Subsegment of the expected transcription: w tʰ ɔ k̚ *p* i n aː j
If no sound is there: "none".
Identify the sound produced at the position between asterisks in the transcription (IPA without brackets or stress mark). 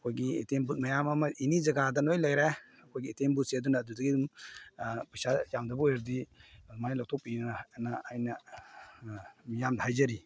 p